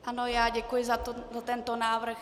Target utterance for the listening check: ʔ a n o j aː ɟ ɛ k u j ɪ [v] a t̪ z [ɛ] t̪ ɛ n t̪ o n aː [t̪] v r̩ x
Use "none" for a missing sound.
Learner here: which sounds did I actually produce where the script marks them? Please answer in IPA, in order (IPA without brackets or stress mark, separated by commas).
z, a, none